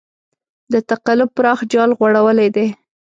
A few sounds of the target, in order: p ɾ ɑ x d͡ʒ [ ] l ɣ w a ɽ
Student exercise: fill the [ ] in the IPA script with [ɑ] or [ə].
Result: ɑ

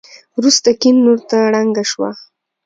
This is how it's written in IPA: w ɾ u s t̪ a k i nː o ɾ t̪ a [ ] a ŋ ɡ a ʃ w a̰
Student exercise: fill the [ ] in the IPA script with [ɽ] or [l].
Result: ɽ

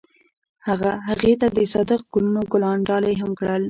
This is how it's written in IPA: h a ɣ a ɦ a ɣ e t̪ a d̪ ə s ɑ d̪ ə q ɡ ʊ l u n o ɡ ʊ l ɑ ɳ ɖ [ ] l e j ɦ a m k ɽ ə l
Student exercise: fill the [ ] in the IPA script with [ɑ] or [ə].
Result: ɑ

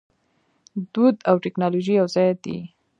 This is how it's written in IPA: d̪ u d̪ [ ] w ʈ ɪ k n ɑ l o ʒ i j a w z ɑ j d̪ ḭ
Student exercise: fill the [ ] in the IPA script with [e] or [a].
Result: a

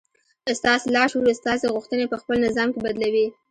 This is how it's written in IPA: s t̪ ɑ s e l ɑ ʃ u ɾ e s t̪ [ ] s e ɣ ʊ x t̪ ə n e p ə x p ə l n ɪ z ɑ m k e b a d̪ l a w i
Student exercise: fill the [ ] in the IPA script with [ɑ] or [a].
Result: ɑ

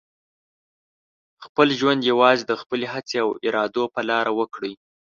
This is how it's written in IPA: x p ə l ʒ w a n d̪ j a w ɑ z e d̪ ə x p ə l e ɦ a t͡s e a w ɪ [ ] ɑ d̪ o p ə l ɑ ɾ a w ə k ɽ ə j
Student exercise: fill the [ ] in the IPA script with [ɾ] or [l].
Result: ɾ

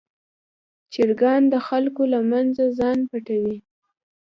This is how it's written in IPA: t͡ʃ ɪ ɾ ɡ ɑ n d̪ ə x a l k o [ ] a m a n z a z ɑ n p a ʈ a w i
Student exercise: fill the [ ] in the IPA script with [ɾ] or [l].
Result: l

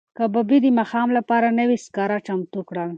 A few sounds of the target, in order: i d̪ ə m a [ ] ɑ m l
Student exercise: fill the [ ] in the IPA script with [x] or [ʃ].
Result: x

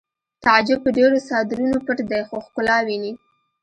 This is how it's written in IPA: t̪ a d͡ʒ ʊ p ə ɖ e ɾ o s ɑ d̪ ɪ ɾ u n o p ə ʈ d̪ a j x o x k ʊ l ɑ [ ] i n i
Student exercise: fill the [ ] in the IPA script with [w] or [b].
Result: w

